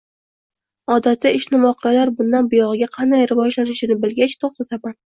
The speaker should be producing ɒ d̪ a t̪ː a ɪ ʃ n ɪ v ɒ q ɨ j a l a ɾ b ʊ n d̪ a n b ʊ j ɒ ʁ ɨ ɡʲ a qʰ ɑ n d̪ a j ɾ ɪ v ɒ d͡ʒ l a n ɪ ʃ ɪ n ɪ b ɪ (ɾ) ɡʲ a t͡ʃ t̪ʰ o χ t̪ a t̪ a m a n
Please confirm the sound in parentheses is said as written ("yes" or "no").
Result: no